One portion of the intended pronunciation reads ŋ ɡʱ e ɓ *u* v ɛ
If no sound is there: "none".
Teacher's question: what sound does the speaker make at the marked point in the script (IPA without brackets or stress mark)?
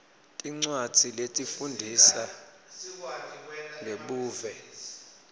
uː